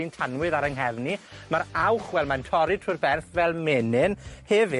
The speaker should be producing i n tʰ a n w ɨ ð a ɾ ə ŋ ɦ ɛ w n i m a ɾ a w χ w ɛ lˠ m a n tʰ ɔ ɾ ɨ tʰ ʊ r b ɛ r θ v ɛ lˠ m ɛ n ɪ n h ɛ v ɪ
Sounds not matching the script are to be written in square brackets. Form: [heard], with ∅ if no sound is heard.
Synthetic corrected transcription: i n tʰ a n w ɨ ð a ɾ ə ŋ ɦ ɛ [v] n i m a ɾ a w χ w ɛ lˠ m a n tʰ ɔ ɾ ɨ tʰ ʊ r b ɛ r θ v ɛ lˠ m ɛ n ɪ n h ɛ v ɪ